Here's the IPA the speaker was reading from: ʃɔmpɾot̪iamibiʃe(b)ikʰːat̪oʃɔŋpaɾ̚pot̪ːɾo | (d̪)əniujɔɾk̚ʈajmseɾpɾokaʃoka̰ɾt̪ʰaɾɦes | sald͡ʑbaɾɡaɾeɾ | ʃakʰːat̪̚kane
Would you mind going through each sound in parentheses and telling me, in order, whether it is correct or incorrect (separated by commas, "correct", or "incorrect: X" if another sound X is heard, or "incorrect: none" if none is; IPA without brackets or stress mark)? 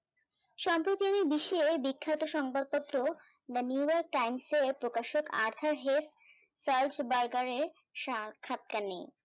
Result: correct, correct